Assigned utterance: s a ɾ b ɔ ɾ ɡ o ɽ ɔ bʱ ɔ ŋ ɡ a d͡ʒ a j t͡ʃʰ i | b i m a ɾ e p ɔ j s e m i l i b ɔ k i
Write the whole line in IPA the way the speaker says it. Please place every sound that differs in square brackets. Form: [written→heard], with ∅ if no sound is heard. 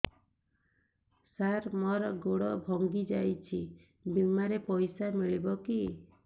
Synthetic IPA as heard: s a ɾ [b→m] ɔ ɾ ɡ o ɽ ɔ bʱ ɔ ŋ ɡ [a→i] d͡ʒ a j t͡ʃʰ i | b i m a ɾ e p ɔ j s [e→a] m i [l→ɭ] i b ɔ k i